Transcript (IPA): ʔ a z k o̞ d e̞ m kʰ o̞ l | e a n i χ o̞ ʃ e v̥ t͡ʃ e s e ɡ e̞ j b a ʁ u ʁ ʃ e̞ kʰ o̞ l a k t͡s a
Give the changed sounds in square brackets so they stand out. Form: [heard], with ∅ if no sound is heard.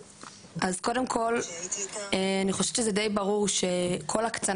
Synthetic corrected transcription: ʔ a z k o̞ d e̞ m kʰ o̞ l | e a n i χ o̞ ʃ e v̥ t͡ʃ e [z] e [d] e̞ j b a ʁ u ʁ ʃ e̞ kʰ o̞ l a k t͡s a